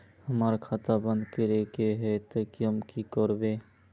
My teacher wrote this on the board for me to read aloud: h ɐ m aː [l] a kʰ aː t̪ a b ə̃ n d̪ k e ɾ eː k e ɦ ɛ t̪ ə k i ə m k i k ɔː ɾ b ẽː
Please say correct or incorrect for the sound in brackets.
incorrect